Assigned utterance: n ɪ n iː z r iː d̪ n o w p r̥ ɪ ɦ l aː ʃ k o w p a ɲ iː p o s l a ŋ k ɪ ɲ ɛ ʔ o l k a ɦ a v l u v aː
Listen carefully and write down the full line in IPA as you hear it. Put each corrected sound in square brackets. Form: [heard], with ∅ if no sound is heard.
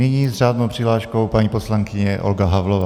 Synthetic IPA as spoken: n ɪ [ɲ] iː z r [aː] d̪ n o w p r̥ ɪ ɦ l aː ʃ k o w p a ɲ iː p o s l a ŋ k ɪ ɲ ɛ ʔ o l [ɡ] a ɦ a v l [o] v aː